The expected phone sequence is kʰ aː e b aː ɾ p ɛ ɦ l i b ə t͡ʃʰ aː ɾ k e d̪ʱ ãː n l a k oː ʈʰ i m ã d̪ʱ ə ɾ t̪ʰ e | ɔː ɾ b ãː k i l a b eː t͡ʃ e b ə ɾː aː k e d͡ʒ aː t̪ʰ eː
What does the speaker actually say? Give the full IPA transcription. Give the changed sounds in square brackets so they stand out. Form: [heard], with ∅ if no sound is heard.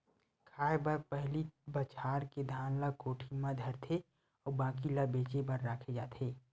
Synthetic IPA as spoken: kʰ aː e b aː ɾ p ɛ ɦ l i b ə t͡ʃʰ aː ɾ k e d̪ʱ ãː n l a k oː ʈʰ i m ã d̪ʱ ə ɾ t̪ʰ e | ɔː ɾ b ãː k i l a b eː t͡ʃ e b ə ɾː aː [kʰ] e d͡ʒ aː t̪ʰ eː